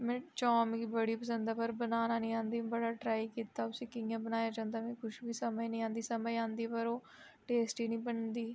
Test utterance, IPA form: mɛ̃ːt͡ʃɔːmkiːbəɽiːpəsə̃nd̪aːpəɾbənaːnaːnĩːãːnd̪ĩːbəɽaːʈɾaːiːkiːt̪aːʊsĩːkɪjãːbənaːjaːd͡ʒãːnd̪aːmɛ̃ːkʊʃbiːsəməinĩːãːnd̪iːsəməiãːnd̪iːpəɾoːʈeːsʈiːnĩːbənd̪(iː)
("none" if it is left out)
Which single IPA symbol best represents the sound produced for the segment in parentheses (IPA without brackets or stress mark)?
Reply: iː